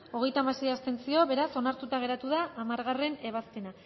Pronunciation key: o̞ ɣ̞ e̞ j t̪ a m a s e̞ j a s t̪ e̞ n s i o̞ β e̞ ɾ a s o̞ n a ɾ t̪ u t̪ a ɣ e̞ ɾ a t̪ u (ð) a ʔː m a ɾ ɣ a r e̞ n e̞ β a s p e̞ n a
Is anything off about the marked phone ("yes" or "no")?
no